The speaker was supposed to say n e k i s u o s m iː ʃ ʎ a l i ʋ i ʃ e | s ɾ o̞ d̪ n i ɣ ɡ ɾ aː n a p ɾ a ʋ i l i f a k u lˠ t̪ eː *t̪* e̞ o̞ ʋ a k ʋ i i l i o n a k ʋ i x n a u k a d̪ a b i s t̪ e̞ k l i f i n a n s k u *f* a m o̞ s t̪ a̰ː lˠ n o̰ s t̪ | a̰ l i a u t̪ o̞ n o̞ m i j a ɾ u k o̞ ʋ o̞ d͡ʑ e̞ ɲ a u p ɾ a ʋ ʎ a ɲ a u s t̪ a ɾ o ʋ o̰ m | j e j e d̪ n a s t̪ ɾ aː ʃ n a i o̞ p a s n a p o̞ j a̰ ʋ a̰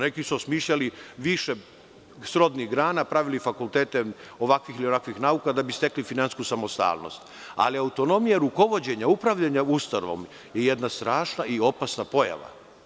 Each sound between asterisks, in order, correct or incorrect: correct, incorrect

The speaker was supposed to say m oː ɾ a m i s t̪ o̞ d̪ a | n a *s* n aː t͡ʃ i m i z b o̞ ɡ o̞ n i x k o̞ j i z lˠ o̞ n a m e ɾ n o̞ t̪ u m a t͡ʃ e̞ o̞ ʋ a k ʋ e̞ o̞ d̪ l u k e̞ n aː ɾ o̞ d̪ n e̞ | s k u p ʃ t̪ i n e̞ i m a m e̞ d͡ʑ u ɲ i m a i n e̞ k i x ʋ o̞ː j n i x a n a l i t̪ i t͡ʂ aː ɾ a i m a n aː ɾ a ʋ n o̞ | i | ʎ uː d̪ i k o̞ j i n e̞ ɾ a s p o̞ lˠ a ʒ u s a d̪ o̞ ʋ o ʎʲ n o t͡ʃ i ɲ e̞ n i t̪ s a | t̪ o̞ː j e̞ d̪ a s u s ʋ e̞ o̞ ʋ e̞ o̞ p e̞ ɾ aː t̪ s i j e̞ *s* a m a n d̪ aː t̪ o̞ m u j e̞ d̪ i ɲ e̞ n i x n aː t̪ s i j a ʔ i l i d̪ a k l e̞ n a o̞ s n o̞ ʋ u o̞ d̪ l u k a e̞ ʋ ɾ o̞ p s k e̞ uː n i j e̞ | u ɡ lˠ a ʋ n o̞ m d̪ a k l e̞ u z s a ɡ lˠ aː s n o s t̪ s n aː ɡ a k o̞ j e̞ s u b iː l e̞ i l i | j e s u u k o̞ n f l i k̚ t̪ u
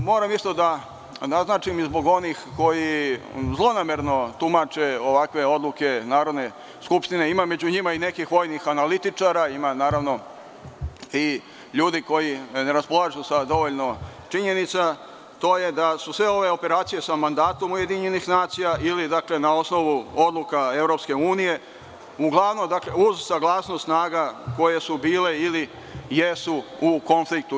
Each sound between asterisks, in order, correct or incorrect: incorrect, correct

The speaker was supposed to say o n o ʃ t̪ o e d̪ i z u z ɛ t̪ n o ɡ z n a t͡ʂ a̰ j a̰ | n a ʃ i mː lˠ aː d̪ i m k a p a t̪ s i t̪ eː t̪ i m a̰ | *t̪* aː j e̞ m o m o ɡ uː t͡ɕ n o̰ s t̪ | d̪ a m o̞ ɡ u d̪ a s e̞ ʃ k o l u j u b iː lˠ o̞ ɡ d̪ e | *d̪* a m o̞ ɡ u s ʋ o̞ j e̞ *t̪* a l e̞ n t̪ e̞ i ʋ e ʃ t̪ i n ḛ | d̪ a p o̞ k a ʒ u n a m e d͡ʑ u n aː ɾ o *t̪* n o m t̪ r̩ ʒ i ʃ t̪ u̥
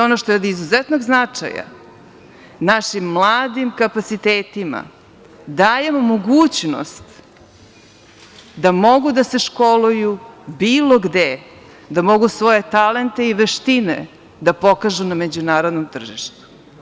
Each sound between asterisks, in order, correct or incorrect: incorrect, correct, correct, incorrect

